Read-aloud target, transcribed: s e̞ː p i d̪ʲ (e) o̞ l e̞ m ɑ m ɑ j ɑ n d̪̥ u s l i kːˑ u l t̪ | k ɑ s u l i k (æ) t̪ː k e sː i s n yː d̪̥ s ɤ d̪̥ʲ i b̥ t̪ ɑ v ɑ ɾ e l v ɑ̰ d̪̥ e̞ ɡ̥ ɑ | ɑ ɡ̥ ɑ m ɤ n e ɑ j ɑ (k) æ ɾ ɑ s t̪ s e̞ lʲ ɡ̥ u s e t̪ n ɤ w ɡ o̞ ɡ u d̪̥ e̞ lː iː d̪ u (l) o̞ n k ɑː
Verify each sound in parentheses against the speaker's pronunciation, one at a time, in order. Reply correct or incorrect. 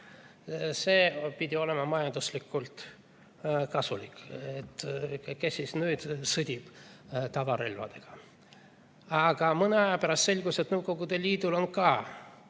incorrect, incorrect, incorrect, correct

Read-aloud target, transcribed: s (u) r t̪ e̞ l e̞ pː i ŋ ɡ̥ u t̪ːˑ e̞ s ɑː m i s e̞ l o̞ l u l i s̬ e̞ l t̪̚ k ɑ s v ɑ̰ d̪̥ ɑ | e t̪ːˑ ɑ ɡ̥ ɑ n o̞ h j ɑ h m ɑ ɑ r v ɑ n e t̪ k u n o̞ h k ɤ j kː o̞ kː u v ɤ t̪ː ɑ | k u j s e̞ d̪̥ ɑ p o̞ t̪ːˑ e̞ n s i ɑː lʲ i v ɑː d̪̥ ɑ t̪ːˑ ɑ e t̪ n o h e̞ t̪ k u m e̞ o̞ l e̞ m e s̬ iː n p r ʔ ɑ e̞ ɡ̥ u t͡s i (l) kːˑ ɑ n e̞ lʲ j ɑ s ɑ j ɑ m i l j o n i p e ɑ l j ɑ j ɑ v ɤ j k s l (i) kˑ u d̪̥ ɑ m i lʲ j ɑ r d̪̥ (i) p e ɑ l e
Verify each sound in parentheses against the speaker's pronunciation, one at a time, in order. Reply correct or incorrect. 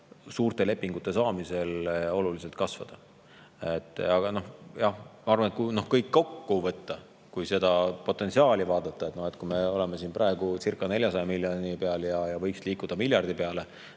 incorrect, incorrect, incorrect, correct

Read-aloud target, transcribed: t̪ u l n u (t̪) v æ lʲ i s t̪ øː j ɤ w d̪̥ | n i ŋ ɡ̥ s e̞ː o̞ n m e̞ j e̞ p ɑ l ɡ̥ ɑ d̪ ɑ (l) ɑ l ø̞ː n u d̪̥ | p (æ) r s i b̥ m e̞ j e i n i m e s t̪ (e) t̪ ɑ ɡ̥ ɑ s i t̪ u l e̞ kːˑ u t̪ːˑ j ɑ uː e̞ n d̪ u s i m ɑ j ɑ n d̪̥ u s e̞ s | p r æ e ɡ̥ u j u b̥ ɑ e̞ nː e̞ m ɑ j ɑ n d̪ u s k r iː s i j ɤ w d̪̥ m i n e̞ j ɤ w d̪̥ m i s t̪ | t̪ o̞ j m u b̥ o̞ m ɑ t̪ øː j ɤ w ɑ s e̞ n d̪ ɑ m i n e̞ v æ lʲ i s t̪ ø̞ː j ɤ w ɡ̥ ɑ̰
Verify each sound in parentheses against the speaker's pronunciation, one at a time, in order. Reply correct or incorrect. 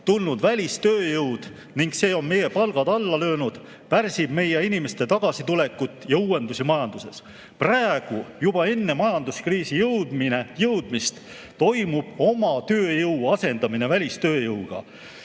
incorrect, incorrect, correct, correct

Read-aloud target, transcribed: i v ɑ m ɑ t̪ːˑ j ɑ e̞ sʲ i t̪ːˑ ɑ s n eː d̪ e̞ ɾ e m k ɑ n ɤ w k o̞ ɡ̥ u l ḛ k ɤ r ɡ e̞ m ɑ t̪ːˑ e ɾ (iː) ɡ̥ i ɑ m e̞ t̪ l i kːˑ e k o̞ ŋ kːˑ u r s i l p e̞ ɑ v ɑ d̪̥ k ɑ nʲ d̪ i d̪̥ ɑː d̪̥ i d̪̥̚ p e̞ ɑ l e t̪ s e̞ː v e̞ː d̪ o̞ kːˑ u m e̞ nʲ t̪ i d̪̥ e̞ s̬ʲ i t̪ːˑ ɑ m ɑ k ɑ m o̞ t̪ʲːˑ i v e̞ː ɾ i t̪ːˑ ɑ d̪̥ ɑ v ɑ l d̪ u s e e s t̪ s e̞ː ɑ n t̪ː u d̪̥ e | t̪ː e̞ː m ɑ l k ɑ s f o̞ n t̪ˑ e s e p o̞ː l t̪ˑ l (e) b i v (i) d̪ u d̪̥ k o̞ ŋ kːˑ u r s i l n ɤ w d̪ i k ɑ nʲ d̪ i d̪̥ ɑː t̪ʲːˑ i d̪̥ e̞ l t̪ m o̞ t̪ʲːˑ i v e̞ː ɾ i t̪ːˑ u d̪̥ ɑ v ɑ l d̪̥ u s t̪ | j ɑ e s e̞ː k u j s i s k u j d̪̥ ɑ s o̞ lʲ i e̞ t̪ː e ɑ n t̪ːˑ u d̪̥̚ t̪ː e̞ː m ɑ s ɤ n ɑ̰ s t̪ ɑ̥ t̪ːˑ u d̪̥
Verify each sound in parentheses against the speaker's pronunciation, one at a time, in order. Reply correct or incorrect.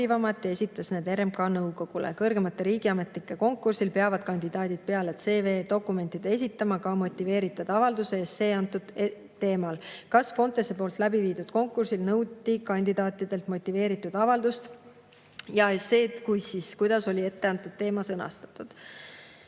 correct, incorrect, incorrect

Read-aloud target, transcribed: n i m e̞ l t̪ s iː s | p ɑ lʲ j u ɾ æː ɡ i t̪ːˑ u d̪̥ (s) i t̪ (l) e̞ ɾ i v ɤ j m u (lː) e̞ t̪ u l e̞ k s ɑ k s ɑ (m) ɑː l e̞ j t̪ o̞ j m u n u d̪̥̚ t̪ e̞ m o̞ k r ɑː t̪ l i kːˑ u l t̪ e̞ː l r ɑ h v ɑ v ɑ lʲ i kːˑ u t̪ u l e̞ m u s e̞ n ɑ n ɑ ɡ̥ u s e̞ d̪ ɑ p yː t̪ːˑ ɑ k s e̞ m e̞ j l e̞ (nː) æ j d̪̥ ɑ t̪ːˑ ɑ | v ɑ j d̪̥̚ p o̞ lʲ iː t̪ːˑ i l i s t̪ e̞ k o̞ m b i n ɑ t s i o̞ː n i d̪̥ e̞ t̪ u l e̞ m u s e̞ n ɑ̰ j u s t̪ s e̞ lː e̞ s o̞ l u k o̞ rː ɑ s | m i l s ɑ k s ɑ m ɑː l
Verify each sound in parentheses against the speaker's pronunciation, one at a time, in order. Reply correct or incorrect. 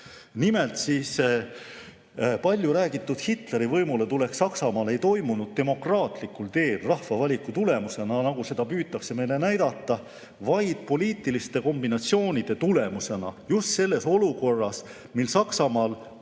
incorrect, correct, incorrect, correct, incorrect

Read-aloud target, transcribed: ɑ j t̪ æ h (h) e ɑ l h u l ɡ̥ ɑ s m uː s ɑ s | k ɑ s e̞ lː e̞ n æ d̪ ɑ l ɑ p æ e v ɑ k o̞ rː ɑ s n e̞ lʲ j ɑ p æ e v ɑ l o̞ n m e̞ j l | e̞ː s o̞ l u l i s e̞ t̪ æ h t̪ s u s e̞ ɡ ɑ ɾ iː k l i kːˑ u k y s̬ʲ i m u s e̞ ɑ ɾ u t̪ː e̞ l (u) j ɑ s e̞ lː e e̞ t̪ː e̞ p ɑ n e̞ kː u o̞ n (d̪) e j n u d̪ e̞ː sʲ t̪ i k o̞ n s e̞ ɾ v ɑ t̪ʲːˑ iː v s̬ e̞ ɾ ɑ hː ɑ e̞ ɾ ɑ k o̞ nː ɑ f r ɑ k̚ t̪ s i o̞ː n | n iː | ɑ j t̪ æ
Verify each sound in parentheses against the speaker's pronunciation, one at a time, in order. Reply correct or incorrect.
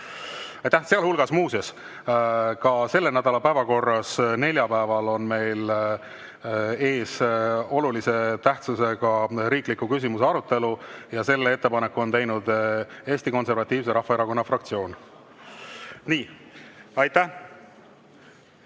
incorrect, correct, incorrect

